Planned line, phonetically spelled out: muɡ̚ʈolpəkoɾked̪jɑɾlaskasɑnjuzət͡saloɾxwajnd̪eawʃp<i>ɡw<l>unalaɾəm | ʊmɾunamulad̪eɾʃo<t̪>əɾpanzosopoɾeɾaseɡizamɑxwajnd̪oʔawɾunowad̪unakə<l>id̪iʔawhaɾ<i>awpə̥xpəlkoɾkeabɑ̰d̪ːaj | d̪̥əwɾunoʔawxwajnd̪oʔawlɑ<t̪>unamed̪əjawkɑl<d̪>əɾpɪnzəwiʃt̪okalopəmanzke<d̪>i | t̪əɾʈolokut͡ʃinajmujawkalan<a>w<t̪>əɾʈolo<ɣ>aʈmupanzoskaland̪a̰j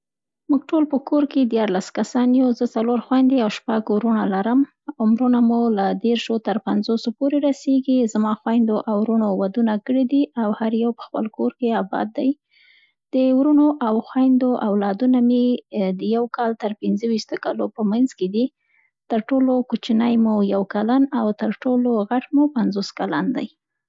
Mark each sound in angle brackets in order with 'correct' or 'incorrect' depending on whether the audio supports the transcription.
incorrect: a, incorrect: ɾ, correct, incorrect: ɽ, incorrect: j, incorrect: d̪, incorrect: t̪, correct, correct, correct, correct

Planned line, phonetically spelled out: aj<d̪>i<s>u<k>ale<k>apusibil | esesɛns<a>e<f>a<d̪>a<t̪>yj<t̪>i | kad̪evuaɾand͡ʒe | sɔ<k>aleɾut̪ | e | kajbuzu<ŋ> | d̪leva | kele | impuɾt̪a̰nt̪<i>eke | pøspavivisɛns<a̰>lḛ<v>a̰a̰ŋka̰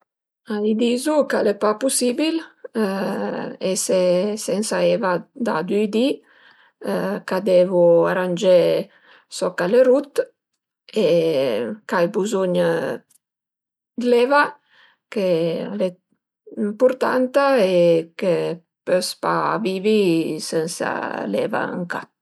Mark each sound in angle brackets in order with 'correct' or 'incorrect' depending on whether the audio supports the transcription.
correct, incorrect: z, correct, incorrect: p, correct, incorrect: v, correct, incorrect: d̪, incorrect: d̪, correct, incorrect: ɲ, incorrect: a, correct, correct

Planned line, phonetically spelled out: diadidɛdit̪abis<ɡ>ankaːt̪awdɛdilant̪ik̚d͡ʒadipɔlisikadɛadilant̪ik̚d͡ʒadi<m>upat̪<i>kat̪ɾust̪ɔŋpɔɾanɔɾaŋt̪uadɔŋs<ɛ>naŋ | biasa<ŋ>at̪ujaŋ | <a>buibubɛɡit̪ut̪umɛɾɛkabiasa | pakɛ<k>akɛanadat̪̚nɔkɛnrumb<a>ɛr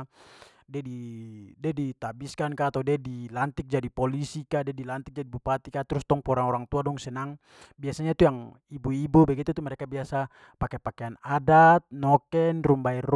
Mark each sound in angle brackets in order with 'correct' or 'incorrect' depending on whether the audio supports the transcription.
incorrect: k, incorrect: b, correct, correct, incorrect: ɲ, incorrect: i, incorrect: p, correct

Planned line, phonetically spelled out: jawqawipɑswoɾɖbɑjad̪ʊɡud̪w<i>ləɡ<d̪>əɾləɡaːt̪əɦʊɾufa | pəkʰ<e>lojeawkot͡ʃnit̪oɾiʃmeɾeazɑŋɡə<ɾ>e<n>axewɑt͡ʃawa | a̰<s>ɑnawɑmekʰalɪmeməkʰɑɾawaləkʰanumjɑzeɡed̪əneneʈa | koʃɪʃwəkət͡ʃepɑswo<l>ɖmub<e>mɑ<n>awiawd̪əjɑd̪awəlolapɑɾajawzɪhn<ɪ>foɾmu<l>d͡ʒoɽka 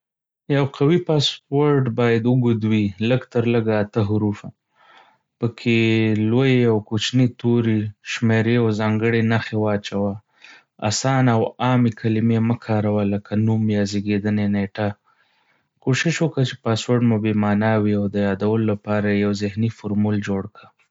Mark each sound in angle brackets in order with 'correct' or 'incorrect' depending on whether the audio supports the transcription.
correct, incorrect: t̪, correct, incorrect: ɽ, correct, correct, incorrect: ɾ, correct, correct, incorrect: i, correct

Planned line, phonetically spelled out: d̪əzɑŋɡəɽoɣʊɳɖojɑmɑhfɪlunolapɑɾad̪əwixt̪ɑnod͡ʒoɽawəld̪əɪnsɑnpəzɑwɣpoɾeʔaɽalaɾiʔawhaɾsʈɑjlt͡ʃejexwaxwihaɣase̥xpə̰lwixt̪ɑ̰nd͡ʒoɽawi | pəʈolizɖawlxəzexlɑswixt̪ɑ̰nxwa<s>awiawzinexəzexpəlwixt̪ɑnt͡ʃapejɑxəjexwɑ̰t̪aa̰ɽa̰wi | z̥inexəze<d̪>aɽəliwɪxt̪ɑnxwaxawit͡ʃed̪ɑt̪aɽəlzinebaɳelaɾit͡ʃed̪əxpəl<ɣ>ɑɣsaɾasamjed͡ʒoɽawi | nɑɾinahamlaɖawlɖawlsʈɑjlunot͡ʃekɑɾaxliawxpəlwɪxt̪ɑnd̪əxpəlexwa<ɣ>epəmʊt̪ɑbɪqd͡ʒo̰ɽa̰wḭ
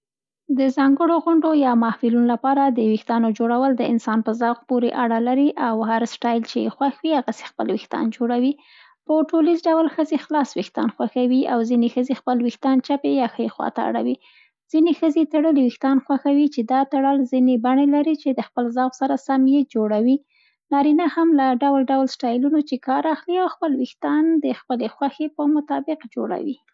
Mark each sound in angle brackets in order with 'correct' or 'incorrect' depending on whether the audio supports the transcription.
incorrect: x, incorrect: t̪, incorrect: z, incorrect: x

